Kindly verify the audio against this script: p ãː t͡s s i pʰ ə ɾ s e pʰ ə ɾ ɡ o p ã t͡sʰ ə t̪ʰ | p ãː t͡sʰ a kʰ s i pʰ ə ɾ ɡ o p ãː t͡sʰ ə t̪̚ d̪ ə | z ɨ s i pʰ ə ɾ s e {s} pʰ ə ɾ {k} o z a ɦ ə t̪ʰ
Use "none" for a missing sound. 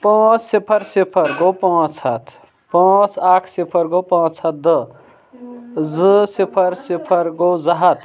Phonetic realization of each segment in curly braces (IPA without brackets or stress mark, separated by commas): none, ɡ